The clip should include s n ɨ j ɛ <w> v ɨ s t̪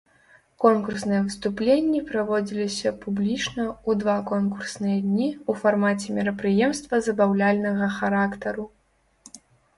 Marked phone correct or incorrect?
incorrect